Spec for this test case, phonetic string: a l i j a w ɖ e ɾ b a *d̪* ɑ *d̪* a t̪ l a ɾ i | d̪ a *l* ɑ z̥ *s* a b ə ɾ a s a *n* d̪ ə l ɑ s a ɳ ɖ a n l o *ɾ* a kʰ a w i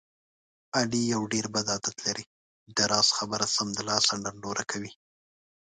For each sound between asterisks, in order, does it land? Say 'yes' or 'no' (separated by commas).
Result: yes, yes, no, no, no, yes